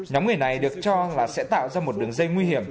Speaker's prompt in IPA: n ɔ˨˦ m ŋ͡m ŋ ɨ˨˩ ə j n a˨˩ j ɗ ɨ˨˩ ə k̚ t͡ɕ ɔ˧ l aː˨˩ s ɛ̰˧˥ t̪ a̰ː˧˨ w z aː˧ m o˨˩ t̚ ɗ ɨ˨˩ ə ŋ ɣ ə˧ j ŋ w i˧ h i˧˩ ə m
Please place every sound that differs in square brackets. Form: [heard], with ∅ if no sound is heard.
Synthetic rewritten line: [ɲ] ɔ˨˦ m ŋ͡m ŋ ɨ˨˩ ə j n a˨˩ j ɗ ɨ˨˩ ə k̚ t͡ɕ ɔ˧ l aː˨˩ s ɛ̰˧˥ t̪ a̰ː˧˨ w z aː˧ m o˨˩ t̚ ɗ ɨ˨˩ ə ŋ [z] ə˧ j ŋ w i˧ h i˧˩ ə m